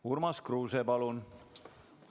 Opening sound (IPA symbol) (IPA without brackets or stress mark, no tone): u